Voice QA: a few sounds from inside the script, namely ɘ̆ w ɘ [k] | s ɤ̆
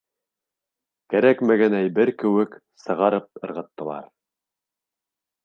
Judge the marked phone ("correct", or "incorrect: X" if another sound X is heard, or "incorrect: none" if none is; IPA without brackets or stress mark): correct